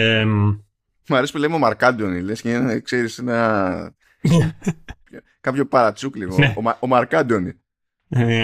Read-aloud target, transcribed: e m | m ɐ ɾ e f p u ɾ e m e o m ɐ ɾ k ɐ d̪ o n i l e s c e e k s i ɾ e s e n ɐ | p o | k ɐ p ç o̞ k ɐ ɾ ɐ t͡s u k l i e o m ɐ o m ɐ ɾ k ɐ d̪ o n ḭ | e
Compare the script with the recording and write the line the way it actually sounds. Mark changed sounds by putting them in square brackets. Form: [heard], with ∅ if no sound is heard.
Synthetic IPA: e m | m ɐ ɾ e [s] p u [l] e m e o m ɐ ɾ k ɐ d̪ o n i l e s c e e k s [e] ɾ [i] s e n ɐ | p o | k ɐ p ç o̞ [p] ɐ ɾ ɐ t͡s u k l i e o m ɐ o m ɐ ɾ k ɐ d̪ o n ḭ | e